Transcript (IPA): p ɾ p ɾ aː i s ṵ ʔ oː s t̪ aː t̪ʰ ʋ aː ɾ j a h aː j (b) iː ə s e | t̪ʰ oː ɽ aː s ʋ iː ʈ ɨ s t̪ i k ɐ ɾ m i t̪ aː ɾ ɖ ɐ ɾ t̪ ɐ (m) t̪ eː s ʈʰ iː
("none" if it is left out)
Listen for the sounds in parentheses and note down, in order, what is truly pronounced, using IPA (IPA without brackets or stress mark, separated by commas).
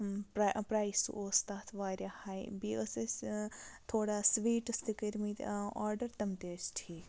b, m